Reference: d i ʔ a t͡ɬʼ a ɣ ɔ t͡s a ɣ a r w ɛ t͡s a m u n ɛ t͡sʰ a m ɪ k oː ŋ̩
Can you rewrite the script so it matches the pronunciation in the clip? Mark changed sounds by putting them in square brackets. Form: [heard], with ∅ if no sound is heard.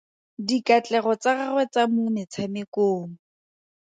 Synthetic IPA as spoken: d i [k] a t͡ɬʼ [ɛ] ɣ ɔ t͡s a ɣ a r w ɛ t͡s a m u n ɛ t͡sʰ a m ɪ k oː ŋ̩